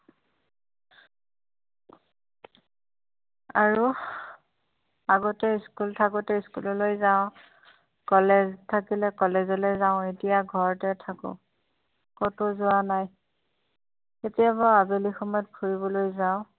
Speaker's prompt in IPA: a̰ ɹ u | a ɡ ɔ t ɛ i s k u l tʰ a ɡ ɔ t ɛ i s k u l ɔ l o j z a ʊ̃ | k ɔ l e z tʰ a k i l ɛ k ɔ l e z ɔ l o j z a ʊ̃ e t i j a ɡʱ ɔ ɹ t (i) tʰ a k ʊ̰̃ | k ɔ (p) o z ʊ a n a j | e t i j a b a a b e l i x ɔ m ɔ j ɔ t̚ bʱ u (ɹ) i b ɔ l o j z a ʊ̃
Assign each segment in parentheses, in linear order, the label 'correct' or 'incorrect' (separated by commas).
incorrect, incorrect, correct